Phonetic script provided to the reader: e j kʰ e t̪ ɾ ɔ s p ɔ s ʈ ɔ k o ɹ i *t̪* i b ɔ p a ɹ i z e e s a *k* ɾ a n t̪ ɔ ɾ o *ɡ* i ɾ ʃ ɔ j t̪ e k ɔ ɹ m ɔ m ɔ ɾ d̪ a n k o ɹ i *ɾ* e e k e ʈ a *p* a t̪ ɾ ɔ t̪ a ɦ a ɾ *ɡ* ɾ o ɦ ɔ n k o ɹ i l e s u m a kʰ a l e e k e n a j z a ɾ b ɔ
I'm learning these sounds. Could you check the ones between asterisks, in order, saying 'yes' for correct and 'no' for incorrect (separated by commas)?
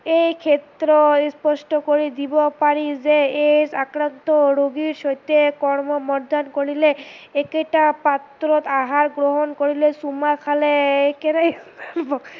no, yes, yes, no, yes, yes